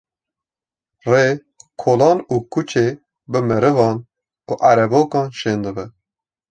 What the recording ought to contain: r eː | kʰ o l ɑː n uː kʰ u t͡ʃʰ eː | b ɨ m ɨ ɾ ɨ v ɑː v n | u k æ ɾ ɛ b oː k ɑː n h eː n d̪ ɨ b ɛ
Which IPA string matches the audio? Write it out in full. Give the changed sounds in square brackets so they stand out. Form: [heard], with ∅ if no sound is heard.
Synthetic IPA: r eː | kʰ o l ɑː n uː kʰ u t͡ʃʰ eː | b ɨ m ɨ ɾ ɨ v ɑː [∅] n | u [ʔ] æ ɾ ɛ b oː k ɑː n [ʃ] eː n d̪ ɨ b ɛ